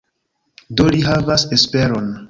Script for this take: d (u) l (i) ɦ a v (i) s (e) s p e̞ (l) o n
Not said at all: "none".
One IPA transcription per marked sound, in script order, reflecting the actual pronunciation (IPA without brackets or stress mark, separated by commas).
o, i, a, e, ɾ